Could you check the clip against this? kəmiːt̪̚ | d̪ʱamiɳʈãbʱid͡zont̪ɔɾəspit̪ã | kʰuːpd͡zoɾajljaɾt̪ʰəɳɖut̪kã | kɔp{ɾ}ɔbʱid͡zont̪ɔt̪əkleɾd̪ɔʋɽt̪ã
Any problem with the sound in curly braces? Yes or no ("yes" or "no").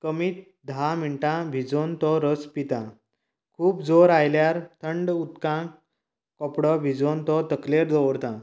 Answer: yes